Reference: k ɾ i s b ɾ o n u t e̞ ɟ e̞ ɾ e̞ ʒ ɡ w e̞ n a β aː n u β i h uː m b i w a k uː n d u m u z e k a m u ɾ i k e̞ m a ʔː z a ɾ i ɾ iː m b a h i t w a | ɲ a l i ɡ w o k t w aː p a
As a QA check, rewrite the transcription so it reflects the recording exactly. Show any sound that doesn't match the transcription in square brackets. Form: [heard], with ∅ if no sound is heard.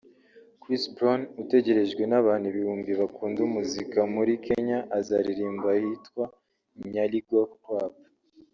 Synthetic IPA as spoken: k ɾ i s b ɾ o n u t e̞ ɟ e̞ ɾ e̞ ʒ ɡ w e̞ n a β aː n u β i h uː m b i [β] a k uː n d u m u z [i] k a m u ɾ i k e̞ [ɲ] a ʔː z a ɾ i ɾ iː m b a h i t w a | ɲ a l i ɡ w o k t w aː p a